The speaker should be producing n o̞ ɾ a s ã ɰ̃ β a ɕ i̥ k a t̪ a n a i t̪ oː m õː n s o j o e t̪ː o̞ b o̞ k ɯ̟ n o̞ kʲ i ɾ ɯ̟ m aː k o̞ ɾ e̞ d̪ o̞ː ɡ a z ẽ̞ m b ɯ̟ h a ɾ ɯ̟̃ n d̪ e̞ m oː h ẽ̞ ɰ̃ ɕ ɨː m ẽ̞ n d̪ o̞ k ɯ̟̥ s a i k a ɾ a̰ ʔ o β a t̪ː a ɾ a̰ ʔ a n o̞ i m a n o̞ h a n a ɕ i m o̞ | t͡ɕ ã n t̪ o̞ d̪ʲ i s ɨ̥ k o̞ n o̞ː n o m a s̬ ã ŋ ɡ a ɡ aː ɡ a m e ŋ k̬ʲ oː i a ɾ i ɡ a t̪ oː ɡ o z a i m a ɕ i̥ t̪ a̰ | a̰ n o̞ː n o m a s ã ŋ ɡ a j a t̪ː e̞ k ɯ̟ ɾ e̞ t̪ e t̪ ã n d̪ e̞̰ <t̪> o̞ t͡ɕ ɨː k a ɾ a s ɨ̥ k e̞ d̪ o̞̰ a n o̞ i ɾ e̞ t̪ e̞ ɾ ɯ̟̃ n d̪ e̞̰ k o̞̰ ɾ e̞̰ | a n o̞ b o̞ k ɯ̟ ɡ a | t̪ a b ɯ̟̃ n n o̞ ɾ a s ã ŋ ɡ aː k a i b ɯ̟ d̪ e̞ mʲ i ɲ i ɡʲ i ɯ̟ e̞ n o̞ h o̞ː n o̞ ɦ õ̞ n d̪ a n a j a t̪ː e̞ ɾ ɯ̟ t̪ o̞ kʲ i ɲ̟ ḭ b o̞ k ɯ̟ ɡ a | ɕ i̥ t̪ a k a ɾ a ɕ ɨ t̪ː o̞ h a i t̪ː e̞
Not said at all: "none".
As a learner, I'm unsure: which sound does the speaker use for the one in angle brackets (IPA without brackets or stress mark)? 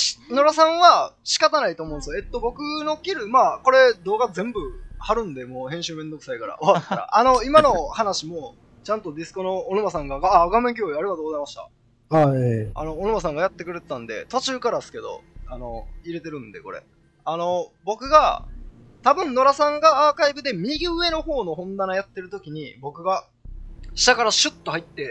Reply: t̪